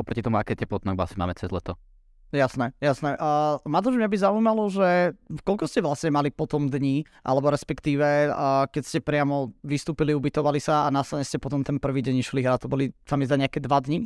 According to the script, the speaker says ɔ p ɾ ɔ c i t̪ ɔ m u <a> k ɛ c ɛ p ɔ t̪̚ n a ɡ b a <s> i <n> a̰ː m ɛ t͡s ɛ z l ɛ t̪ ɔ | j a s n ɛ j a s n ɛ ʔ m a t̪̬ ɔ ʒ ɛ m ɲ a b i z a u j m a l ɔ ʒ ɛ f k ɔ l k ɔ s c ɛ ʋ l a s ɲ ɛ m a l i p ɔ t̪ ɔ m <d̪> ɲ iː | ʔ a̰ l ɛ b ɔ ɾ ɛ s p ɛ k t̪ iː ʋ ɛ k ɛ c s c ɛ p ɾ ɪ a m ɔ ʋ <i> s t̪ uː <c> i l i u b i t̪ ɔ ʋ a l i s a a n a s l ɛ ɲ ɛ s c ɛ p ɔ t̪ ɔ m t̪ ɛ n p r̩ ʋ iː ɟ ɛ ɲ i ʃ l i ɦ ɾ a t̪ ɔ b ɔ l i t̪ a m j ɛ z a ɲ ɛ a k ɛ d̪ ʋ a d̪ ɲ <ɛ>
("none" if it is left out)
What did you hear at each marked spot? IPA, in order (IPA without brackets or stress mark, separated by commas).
a, s, m, d̪, i, p, i